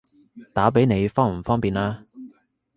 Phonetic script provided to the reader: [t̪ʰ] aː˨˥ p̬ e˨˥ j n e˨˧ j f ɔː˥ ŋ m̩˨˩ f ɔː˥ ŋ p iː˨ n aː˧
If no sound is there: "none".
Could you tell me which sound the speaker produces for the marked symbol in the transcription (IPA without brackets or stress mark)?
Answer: t̪